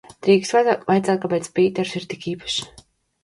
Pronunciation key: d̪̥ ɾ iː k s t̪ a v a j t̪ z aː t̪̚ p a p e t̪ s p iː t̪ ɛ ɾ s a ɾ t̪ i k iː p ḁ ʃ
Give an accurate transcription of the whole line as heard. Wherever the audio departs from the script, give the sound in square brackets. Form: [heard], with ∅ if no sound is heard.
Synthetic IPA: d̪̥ ɾ iː k s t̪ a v a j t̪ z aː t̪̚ [k] a p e t̪ s p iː t̪ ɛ ɾ s [i] ɾ t̪ i k iː p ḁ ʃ